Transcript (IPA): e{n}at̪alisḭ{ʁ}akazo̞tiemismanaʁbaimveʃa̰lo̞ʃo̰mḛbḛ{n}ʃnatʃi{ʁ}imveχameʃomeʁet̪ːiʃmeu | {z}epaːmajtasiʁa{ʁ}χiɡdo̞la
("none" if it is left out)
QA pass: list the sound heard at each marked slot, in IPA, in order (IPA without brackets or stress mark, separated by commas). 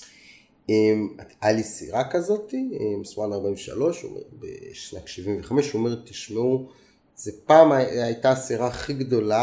m, ʁ, none, v, z, none